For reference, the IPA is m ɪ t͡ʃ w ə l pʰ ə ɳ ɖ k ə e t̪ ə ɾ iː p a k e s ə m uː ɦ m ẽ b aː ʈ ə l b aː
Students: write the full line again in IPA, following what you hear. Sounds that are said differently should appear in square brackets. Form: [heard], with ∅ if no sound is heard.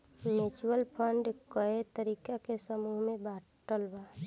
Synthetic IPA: m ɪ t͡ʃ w ə l pʰ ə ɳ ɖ k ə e t̪ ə ɾ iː [k] a k e s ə m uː ɦ m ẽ b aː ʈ ə l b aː